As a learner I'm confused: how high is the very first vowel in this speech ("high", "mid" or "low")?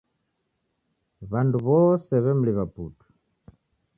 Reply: low